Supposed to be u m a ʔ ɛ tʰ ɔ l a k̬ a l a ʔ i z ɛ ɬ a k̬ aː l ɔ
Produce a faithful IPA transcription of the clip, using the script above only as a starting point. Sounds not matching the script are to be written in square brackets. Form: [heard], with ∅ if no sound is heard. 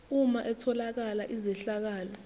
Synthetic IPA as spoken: u m a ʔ ɛ tʰ ɔ l a k̬ a l a ʔ i z ɛ ɬ a k̬ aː l ɔ

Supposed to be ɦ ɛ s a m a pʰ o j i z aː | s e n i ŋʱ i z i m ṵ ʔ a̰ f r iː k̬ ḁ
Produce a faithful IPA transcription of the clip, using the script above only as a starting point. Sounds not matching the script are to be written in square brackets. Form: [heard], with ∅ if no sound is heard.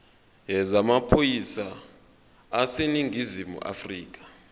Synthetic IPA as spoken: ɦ ɛ [z] a m a pʰ o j i [s] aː | s e n i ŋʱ i z i m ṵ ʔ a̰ f r iː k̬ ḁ

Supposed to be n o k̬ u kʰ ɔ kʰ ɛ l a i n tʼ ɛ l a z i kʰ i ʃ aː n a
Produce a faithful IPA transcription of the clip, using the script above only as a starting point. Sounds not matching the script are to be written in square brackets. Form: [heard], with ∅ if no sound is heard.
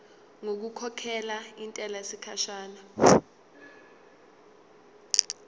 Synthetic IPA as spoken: [ŋ] o k̬ u kʰ ɔ kʰ ɛ l a i n tʼ ɛ l a [s] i kʰ [a] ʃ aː n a

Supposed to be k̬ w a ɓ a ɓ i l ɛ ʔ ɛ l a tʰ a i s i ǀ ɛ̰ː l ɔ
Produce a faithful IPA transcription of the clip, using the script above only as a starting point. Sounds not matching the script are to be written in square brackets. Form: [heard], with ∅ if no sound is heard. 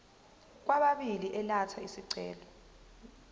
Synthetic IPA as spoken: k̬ w a ɓ a ɓ i l [i] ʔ ɛ l a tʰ a i s i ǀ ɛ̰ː l ɔ

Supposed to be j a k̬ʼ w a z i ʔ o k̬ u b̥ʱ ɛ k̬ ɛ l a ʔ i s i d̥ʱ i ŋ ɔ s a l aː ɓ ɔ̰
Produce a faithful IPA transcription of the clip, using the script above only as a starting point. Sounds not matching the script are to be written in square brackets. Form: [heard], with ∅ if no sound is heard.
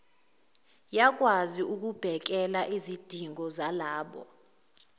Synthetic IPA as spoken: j a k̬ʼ w a z i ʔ [u] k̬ u b̥ʱ ɛ k̬ ɛ l a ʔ i [z] i d̥ʱ i ŋ ɔ [z] a l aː ɓ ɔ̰

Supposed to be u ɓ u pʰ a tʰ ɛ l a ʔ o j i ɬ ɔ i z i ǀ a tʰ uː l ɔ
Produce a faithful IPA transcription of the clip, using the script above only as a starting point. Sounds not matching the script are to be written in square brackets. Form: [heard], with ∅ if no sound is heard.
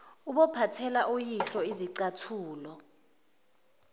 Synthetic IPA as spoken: u ɓ [ɔ] pʰ a tʰ ɛ l a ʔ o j i ɬ ɔ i z i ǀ a tʰ uː l ɔ

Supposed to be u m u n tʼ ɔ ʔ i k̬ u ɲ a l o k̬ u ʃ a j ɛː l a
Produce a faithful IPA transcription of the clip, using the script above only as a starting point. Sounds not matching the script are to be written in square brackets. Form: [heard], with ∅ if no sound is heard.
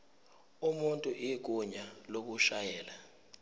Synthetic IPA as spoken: u m u n tʼ [u] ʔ i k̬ u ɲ a l o k̬ u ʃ a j ɛː l a

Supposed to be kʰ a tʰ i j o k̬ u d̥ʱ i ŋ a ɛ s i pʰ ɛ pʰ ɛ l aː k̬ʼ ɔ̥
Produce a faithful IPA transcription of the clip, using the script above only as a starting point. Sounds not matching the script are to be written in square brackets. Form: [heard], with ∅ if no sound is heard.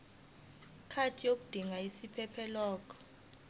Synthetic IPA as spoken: kʰ a tʰ i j o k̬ u d̥ʱ i ŋ a [i] s i pʰ ɛ pʰ ɛ l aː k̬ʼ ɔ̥

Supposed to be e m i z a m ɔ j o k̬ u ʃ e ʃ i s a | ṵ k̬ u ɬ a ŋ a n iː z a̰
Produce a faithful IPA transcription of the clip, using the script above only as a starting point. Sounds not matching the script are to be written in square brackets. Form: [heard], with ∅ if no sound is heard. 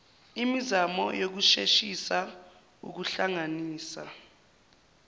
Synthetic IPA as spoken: [i] m i z a m ɔ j o k̬ u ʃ e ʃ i s a | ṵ k̬ u ɬ a ŋ a n iː [s] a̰

